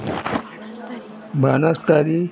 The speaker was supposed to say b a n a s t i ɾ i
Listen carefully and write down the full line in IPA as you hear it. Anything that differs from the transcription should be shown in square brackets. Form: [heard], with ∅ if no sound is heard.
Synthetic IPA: b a n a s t [a] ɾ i